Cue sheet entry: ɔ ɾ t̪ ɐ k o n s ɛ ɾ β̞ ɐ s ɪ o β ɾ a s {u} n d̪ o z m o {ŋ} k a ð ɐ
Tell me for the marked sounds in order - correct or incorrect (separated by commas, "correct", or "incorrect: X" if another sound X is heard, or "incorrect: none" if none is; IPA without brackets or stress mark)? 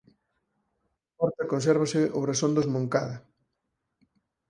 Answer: incorrect: o, correct